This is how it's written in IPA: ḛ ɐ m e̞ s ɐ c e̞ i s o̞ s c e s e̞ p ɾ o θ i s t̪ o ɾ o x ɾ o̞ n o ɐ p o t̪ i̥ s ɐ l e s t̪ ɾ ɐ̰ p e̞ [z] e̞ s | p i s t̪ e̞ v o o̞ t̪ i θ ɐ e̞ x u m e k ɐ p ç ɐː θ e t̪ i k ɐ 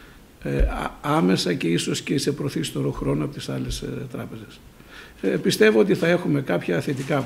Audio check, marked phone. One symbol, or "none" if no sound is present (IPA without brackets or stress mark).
z